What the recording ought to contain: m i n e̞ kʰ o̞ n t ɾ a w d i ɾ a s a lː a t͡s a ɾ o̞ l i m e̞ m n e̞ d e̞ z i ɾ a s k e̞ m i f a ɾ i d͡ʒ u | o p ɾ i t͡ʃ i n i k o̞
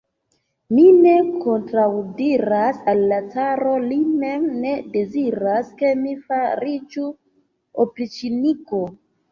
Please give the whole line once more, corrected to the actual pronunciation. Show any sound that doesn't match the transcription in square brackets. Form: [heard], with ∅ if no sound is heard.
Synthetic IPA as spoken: m i n e̞ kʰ o̞ n t ɾ a w d i ɾ a s a lː a t͡s a ɾ o̞ l i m e̞ m n e̞ d e̞ z i ɾ a s k e̞ m i f a ɾ i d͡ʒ u | o p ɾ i t͡ʃ i n i k o̞